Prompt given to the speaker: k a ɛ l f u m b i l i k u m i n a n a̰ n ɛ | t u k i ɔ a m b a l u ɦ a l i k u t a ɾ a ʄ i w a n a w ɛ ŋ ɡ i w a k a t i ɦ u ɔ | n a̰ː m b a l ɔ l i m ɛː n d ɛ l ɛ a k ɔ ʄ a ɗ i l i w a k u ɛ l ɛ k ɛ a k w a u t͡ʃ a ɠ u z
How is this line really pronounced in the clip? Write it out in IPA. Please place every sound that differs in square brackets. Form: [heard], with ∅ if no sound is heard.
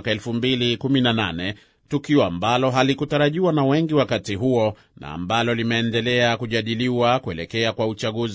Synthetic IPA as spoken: k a ɛ l f u m b i l i k u m i n a n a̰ n ɛ | t u k i ɔ a m b a l [ɔ] ɦ a l i k u t a ɾ a ʄ i w a n a w ɛ ŋ ɡ i w a k a t i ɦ u ɔ | n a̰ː m b a l ɔ l i m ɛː n d ɛ l ɛ a k [u] ʄ a ɗ i l i w a k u ɛ l ɛ k ɛ a k w a u t͡ʃ a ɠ u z